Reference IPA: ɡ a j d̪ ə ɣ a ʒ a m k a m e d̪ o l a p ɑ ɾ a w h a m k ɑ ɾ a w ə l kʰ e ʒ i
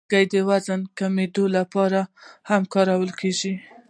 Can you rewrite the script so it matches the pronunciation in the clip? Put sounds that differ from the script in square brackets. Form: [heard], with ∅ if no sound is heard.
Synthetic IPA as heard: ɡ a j d̪ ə [w] a [z] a [n] k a m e d̪ o l a p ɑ ɾ a [∅] h a m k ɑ ɾ a w ə l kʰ e ʒ i